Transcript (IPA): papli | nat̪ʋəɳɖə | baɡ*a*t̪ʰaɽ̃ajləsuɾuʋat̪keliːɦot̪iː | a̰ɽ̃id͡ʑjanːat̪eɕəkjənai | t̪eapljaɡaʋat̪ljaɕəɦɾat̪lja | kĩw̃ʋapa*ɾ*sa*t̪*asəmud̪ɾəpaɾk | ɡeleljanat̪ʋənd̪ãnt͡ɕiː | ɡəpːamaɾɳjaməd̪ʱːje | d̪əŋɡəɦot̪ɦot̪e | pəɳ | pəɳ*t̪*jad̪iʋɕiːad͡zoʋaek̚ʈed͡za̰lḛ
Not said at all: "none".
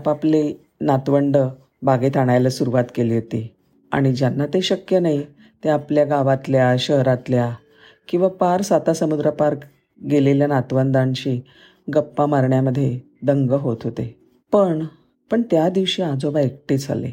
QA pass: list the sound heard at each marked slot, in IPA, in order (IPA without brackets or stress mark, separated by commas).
e, ɾ, t̪, t̪